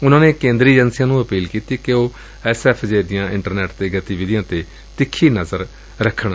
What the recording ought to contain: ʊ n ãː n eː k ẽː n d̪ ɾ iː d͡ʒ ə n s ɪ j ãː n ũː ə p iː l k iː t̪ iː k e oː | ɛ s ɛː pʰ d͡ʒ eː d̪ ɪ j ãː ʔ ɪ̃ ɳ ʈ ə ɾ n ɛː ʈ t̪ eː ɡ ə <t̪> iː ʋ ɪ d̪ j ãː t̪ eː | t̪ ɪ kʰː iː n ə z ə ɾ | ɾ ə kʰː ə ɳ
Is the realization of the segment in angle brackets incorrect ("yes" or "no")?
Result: no